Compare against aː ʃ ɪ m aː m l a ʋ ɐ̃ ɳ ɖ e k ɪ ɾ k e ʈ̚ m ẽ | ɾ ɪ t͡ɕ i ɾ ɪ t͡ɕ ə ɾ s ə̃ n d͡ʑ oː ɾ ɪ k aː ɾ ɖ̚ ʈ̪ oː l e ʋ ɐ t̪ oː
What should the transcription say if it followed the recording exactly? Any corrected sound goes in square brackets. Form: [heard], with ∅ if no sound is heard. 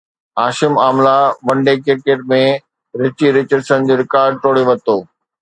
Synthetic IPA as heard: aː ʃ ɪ m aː m l a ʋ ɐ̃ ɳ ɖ e k ɪ ɾ k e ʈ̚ m ẽ | ɾ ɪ t͡ɕ i ɾ ɪ t͡ɕ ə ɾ s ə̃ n d͡ʑ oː ɾ ɪ k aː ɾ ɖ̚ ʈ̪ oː [ɽ] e ʋ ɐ t̪ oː

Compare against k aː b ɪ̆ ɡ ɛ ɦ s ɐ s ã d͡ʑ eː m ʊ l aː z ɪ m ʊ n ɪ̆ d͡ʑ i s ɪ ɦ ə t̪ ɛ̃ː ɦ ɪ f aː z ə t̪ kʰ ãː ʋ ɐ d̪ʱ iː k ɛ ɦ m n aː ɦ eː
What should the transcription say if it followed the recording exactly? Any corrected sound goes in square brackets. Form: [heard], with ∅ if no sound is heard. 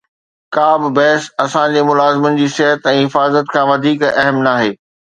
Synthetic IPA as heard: k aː b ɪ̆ [b] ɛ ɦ s ɐ s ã d͡ʑ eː m ʊ l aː z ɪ m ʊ n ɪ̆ d͡ʑ [iː] s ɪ ɦ ə t̪ ɛ̃ː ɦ ɪ f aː z ə t̪ kʰ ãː ʋ ɐ d̪ʱ iː k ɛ ɦ m n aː ɦ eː

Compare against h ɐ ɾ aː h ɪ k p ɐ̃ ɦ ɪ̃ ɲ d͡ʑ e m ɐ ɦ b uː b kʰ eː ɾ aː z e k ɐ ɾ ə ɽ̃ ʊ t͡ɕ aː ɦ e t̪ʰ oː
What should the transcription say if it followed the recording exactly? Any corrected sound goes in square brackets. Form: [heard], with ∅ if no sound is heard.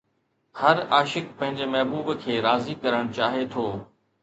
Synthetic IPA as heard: h ɐ ɾ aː [ʃ] ɪ k p ɐ̃ ɦ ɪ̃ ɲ d͡ʑ e m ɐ ɦ b uː b kʰ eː ɾ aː z [i] k ɐ ɾ ə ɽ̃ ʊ t͡ɕ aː ɦ e t̪ʰ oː

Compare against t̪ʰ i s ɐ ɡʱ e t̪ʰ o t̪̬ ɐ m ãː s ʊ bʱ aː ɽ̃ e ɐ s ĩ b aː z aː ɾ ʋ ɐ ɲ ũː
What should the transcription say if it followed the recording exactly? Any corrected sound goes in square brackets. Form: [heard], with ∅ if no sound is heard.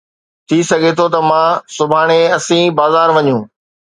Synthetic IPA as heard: t̪ʰ i s ɐ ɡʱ e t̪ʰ o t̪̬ ɐ m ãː s ʊ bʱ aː ɽ̃ e ɐ s ĩ b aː z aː ɾ ʋ ɐ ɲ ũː

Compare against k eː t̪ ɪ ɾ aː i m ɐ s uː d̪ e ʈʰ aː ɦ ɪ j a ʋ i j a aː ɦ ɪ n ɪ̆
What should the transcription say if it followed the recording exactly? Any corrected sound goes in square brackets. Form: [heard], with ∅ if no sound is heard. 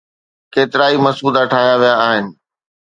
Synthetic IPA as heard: k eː t̪ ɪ ɾ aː i m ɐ s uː d̪ [a] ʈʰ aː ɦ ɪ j a ʋ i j a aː ɦ ɪ n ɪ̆

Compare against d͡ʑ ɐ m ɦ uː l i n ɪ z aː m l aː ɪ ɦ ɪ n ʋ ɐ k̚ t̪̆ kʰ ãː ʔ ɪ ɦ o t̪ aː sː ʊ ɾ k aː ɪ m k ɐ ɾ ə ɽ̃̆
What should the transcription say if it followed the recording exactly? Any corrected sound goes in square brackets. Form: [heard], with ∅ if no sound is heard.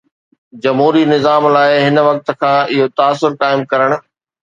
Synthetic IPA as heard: d͡ʑ ɐ m ɦ uː [ɾ] i n ɪ z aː m l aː ɪ ɦ ɪ n ʋ ɐ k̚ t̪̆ kʰ ãː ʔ ɪ ɦ o t̪ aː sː ʊ ɾ k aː ɪ m k ɐ ɾ ə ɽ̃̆

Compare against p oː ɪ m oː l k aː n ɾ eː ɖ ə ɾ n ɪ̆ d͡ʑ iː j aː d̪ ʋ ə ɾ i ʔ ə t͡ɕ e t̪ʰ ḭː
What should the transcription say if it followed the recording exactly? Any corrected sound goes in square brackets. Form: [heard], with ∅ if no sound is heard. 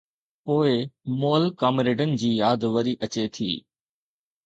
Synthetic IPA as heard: p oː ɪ m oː l k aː [m] ɾ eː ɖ ə [∅] n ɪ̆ d͡ʑ iː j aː d̪ ʋ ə ɾ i ʔ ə t͡ɕ e t̪ʰ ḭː

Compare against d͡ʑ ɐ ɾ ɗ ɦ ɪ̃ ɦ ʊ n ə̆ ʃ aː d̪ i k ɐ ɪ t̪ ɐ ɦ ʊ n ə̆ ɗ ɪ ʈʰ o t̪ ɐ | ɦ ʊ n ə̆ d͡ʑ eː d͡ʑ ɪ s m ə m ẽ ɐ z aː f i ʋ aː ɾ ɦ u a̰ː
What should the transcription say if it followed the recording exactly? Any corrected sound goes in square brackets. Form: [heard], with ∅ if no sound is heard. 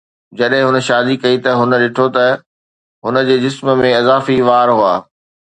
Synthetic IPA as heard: d͡ʑ ɐ [∅] ɗ ɦ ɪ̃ ɦ ʊ n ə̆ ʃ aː d̪ i k ɐ [i] t̪ ɐ ɦ ʊ n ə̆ ɗ ɪ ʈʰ o t̪ ɐ | ɦ ʊ n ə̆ d͡ʑ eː d͡ʑ ɪ s m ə m ẽ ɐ z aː f i ʋ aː ɾ ɦ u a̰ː

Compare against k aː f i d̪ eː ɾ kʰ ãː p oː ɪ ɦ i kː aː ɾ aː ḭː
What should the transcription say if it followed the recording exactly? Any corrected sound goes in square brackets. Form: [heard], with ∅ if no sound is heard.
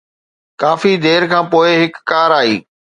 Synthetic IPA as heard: k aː f i d̪ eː ɾ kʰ ãː p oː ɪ ɦ [ɪ] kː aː ɾ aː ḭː

